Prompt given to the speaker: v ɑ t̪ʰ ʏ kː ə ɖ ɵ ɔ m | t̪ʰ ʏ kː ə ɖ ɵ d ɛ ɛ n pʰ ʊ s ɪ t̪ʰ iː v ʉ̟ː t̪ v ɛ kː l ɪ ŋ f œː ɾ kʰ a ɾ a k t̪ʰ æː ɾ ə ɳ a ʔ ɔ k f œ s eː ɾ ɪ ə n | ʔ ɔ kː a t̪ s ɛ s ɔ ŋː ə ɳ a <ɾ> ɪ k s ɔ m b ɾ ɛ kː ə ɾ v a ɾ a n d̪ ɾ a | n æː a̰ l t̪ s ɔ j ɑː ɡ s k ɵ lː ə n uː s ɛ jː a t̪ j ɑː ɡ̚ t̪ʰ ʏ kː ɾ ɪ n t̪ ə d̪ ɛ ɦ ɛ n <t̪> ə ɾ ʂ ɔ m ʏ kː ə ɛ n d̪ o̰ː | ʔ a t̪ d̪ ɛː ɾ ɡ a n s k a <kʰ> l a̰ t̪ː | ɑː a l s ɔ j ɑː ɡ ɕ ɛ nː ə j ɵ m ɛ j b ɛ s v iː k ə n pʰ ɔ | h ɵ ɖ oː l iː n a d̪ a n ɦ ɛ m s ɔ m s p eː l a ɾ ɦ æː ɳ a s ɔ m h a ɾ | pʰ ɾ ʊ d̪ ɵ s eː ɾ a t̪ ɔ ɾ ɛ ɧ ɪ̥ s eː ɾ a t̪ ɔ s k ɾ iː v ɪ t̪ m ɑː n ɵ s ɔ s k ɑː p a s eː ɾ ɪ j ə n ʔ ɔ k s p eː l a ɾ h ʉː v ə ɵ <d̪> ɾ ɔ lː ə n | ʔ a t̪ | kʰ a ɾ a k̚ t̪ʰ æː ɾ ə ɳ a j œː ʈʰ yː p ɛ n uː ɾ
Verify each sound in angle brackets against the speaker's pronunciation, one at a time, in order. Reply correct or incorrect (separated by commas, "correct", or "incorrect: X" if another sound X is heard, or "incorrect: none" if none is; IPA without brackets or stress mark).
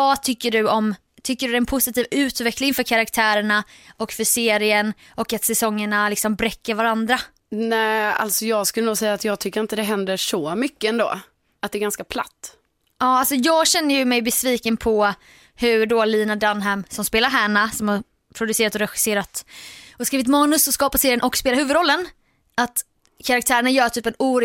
incorrect: l, incorrect: d̪, incorrect: pʰ, correct